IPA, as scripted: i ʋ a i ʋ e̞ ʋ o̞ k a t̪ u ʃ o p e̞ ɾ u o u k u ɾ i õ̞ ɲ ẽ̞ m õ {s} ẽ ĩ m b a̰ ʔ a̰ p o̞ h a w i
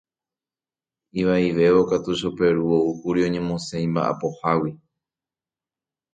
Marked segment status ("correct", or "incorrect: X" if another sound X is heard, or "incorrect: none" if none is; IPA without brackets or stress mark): correct